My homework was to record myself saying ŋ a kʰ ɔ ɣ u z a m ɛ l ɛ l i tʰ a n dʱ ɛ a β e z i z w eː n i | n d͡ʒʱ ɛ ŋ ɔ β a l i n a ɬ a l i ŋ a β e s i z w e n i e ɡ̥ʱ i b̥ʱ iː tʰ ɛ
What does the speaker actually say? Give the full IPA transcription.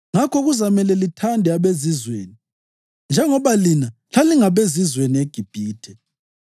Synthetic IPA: ŋ a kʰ ɔ ɣ u z a m ɛ l ɛ l i tʰ a n dʱ ɛ a β e z i z w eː n i | n d͡ʒʱ ɛ ŋ ɔ β a l i n a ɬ a l i ŋ a β e z i z w e n i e ɡ̥ʱ i b̥ʱ iː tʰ ɛ